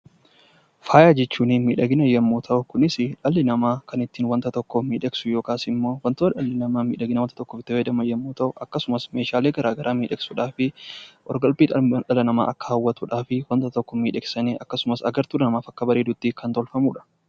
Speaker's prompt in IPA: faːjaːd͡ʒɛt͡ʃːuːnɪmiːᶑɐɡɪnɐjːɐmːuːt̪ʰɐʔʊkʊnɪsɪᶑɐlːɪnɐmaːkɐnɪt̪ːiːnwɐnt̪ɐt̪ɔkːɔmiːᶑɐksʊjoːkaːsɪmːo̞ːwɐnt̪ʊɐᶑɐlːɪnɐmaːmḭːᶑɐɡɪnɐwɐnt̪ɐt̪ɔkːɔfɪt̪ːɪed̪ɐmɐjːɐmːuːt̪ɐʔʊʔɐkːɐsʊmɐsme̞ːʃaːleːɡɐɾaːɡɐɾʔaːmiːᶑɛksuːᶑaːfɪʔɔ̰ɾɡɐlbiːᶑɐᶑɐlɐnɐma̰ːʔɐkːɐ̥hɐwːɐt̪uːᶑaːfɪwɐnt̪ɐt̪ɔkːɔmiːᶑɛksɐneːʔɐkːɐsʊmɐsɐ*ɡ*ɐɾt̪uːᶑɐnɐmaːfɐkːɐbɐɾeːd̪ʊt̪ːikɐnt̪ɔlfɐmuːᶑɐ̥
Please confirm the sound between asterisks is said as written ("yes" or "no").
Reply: yes